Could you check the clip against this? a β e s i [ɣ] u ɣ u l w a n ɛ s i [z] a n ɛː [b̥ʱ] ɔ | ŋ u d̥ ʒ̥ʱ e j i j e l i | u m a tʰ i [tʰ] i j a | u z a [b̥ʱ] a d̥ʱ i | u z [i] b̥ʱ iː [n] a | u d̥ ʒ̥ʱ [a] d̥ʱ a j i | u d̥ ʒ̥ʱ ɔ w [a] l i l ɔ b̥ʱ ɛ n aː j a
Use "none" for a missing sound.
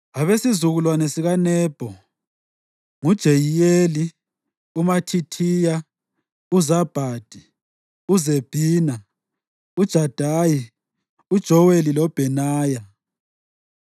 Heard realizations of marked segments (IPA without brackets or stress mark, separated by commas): z, ɣ, b̥ʱ, tʰ, b̥ʱ, e, n, a, e